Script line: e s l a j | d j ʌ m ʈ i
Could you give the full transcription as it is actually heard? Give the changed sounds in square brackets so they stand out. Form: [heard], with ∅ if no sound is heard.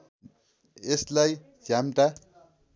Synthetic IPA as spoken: e s l a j | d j [a] m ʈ [a]